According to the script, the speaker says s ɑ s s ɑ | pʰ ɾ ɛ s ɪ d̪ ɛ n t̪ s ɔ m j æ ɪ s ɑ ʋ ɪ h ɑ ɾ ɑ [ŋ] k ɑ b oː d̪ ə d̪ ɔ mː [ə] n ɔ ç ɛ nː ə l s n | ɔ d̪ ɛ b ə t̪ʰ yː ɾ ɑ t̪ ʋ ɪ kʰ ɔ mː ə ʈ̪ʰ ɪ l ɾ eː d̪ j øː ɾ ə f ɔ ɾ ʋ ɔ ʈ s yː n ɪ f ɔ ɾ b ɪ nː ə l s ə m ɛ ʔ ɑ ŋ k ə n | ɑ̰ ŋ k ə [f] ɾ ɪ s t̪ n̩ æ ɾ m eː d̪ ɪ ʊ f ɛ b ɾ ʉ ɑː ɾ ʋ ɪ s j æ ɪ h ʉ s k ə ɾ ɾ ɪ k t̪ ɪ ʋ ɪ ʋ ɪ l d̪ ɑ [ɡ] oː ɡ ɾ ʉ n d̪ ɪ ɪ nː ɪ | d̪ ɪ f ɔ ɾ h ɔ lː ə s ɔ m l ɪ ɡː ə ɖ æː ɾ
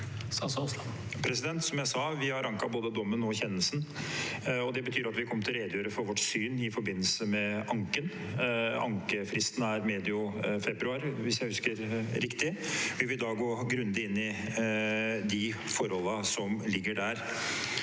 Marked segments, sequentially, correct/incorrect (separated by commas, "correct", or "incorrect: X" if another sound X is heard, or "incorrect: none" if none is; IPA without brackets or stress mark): correct, correct, correct, correct